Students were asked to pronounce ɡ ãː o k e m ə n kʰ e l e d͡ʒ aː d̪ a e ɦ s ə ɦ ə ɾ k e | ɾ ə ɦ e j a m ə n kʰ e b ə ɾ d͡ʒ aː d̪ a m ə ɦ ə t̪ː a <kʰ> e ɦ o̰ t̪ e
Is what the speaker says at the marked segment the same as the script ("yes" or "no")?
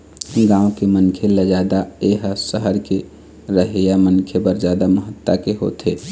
no